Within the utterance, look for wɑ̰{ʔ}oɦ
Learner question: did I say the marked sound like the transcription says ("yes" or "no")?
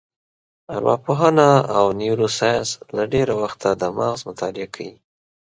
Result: no